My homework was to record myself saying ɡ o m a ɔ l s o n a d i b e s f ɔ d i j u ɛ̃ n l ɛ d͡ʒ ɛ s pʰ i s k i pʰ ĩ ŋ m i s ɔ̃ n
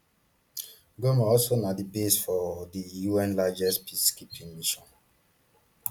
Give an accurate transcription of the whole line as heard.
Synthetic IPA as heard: ɡ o m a ɔ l s o n a d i b e s f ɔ d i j u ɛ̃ n l a d͡ʒ ɛ s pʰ i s k i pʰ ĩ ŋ m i ʃ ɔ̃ n